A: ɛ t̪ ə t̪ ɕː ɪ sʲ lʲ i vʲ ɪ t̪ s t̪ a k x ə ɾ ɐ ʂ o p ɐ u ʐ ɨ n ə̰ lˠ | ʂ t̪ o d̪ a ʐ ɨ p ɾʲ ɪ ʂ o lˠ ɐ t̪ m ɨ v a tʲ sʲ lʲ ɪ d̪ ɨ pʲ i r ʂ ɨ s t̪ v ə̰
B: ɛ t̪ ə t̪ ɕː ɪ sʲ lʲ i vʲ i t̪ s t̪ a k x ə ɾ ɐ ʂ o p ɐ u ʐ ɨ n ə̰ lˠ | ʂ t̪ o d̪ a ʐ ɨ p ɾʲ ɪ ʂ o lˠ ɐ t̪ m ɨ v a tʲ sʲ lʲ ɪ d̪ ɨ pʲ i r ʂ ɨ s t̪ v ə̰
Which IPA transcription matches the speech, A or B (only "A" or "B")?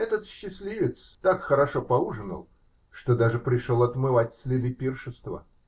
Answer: A